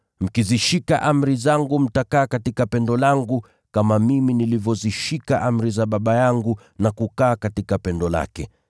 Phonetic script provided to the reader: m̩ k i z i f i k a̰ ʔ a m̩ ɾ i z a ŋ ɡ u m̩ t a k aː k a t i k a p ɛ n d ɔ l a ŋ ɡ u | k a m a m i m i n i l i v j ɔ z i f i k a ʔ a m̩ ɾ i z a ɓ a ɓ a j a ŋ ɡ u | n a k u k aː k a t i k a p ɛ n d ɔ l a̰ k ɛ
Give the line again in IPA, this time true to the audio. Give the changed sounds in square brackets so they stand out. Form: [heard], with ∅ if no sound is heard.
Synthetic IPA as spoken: m̩ k i z i [ʃ] i k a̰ ʔ a m̩ ɾ i z a ŋ ɡ u m̩ t a k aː k a t i k a p ɛ n d ɔ l a ŋ ɡ u | k a m a m i m i n i l i v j ɔ z i [ʃ] i k a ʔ a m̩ ɾ i z a ɓ a ɓ a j a ŋ ɡ u | n a k u k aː k a t i k a p ɛ n d ɔ l a̰ k ɛ